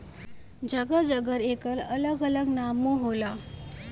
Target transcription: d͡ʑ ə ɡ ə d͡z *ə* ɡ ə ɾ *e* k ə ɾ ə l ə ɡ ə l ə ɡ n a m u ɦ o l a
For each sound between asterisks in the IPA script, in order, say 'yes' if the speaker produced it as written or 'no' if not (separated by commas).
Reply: yes, yes